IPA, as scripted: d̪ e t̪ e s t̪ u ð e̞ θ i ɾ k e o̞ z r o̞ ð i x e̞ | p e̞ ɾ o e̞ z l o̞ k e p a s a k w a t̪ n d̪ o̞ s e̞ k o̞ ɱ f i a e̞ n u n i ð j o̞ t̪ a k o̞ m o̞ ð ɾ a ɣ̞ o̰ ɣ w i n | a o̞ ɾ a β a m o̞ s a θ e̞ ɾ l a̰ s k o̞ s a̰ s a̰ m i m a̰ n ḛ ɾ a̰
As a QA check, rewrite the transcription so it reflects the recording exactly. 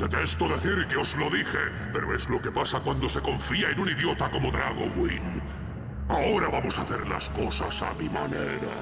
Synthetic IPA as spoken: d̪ e t̪ e s t̪ o ð e̞ θ i ɾ k e o̞ z l o̞ ð i x e̞ | p e̞ ɾ o e̞ z l o̞ k e p a s a k w a n d̪ o̞ s e̞ k o̞ ɱ f i a e̞ n u n i ð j o̞ t̪ a k o̞ m o̞ ð ɾ a ɣ̞ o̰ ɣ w i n | a o̞ ɾ a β a m o̞ s a θ e̞ ɾ l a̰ s k o̞ s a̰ s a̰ m i m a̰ n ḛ ɾ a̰